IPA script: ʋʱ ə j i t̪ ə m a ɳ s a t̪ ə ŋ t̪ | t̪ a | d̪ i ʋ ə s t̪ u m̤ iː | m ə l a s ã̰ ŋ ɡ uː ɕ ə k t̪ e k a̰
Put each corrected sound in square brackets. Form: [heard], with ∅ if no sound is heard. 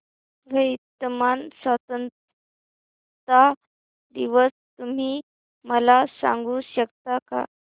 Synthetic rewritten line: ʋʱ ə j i t̪ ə m a [n] s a t̪ ə [n] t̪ | t̪ a | d̪ i ʋ ə s t̪ u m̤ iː | m ə l a s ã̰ ŋ ɡ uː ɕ ə k t̪ [a] k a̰

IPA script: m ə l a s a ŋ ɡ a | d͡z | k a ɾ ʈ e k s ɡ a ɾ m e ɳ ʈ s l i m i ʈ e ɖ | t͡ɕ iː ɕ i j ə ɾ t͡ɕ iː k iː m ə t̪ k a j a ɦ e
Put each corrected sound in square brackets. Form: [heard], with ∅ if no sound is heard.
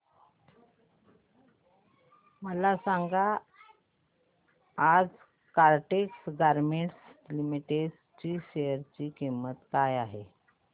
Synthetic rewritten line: m ə l a s a ŋ ɡ a | d͡z | k a ɾ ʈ e k s ɡ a ɾ m e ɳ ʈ s l i m i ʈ e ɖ | t͡ɕ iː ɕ [e] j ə ɾ t͡ɕ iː k [i] m ə t̪ k a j a ɦ e

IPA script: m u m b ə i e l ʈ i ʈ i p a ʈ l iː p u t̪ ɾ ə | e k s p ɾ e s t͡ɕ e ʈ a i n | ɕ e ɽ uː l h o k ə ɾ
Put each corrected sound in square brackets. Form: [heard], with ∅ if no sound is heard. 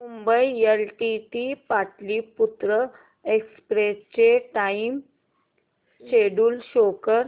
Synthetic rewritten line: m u m b ə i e l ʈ i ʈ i p a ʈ l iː p u t̪ ɾ ə | e k s p ɾ e s t͡ɕ e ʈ a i [m] | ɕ e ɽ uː l [ɕ] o k ə ɾ

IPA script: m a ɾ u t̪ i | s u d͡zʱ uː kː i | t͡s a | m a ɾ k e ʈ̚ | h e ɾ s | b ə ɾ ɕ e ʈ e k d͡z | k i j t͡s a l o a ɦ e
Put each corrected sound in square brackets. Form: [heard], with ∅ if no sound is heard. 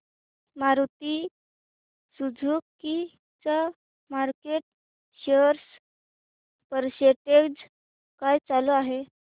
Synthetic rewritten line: m a ɾ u t̪ i | s u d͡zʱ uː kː i | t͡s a | m a ɾ k e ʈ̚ | [ɕ] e ɾ s | [p] ə ɾ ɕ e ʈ e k d͡z | k [a] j t͡s a l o a ɦ e

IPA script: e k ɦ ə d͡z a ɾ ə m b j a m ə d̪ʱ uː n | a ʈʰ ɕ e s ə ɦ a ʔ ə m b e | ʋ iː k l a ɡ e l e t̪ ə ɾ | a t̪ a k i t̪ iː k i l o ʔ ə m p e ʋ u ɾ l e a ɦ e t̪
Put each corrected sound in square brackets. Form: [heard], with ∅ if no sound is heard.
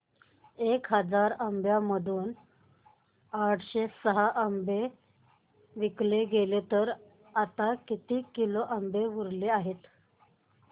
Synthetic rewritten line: e k ɦ ə d͡z a ɾ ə m b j a m ə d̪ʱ uː n | a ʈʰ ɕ e s ə ɦ a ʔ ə m b e | ʋ [i] k l [e] ɡ e l e t̪ ə ɾ | a t̪ a k i t̪ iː k i l o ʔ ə m [b] e ʋ u ɾ l e a ɦ e t̪

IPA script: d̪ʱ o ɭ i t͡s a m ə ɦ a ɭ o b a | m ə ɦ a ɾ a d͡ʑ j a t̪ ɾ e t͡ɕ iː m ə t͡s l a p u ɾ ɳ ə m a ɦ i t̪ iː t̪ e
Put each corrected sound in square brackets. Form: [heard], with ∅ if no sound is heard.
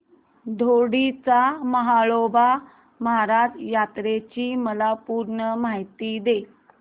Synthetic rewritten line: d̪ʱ o [ɽ] i t͡s a m ə ɦ a ɭ o b a | m ə ɦ a ɾ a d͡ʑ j a t̪ ɾ e t͡ɕ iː m ə [∅] l a p u ɾ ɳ ə m a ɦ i t̪ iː [d̪] e

